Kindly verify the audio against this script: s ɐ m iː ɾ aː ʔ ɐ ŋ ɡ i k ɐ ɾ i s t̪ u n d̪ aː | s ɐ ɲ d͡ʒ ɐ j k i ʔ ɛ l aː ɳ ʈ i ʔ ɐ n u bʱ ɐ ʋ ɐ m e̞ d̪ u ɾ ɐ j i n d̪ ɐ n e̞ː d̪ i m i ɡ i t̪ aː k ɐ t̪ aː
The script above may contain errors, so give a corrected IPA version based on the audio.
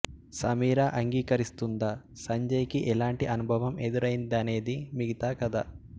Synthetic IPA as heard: s ɐ m iː ɾ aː ʔ ɐ ŋ ɡ iː k ɐ ɾ i s t̪ u n d̪ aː | s ɐ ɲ d͡ʒ ɐ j k i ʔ ɛ l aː ɳ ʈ i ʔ ɐ n u bʱ ɐ ʋ ɐ m e̞ d̪ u ɾ ɐ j i n d̪ ɐ n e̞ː d̪ i m i ɡ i t̪ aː k ɐ d̪ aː